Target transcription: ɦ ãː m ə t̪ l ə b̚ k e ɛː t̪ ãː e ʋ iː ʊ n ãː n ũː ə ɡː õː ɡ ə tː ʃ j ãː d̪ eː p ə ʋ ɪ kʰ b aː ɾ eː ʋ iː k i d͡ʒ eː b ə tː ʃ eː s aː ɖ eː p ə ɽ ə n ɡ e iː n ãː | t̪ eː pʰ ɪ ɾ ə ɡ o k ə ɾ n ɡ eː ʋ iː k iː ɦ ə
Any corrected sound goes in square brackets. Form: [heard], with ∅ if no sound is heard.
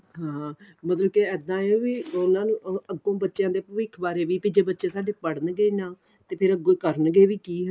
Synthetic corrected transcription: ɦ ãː m ə t̪ l ə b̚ k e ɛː [d̪] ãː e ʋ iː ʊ n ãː n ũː ə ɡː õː [b] ə tː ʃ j ãː d̪ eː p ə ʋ ɪ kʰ b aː ɾ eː ʋ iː [p] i d͡ʒ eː b ə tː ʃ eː s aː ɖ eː p ə ɽ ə n ɡ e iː n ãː | t̪ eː pʰ ɪ ɾ ə ɡ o k ə ɾ n ɡ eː ʋ iː k iː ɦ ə